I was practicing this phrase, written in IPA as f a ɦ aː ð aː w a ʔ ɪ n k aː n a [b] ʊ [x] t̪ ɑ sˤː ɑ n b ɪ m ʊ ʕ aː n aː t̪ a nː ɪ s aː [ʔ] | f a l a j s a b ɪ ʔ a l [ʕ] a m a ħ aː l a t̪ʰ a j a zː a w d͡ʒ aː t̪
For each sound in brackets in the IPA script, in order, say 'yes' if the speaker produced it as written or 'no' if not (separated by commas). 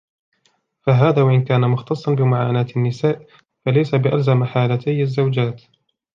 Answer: no, yes, yes, no